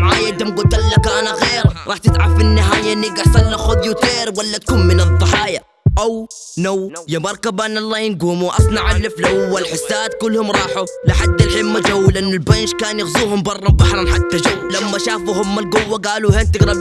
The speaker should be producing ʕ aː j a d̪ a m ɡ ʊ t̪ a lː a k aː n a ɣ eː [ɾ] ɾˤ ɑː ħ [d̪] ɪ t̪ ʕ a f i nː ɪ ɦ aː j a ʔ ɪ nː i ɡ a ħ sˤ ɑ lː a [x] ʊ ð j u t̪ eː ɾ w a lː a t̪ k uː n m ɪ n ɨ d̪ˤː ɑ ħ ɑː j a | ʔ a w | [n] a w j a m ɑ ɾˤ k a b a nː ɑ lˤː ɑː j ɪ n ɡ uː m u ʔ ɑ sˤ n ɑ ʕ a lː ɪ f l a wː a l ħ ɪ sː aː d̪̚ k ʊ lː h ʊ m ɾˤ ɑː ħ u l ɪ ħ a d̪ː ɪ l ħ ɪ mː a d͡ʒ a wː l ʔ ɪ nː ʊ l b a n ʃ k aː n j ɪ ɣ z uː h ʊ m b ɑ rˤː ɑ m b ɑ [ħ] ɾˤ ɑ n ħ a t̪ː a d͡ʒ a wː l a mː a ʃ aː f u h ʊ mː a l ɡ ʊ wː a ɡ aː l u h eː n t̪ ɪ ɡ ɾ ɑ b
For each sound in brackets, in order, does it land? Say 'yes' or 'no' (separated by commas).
yes, no, yes, yes, yes